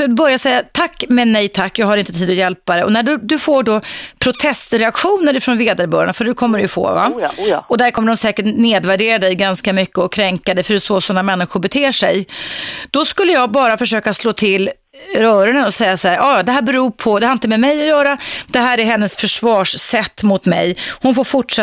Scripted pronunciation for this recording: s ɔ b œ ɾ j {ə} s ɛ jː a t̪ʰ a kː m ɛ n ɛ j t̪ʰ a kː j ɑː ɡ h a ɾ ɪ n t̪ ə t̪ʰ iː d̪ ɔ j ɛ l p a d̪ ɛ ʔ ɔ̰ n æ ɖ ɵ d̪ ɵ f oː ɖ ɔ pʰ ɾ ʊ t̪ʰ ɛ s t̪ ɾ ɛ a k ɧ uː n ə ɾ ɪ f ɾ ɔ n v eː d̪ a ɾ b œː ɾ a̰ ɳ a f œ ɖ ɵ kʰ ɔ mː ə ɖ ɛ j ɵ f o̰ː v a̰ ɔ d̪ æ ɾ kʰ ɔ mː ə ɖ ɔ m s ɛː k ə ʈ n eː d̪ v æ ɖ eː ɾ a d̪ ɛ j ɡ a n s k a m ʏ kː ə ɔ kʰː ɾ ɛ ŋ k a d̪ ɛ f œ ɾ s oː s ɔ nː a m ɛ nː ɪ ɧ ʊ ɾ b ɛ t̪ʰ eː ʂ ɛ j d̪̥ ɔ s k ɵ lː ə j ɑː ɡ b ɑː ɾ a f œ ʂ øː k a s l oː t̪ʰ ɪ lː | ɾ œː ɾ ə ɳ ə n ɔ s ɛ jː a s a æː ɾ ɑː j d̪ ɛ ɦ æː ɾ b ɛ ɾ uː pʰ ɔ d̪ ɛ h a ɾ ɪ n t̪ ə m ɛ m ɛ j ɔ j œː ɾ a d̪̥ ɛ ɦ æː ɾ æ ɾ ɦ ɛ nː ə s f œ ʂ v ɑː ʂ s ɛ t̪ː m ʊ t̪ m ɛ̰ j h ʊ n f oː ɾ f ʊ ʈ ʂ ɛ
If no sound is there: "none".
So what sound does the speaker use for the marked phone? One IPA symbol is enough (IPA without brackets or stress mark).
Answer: a